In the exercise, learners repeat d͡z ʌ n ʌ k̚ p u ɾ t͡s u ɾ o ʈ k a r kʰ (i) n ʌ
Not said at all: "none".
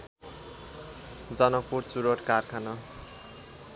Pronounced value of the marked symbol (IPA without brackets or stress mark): a